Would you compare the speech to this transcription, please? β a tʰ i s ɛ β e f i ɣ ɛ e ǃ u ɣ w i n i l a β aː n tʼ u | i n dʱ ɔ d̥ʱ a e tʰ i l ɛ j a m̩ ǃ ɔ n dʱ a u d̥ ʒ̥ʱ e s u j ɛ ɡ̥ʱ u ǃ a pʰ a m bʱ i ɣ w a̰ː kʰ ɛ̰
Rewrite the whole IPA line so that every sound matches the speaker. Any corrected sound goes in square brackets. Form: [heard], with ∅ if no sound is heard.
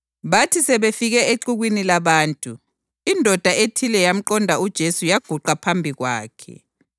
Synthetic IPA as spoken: β a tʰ i s ɛ β e f i ɣ ɛ e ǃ u ɣ w i n i l a β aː n tʼ u | i n dʱ ɔ d̥ʱ a e tʰ i l ɛ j a m̩ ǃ ɔ n dʱ a u d̥ ʒ̥ʱ e s u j [a] ɡ̥ʱ u ǃ a pʰ a m bʱ i ɣ w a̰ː kʰ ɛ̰